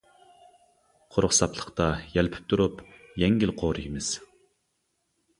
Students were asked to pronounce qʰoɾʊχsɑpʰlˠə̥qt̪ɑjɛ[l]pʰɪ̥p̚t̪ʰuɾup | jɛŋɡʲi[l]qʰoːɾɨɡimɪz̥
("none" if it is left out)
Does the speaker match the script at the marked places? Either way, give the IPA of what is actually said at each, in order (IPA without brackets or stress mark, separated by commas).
l, l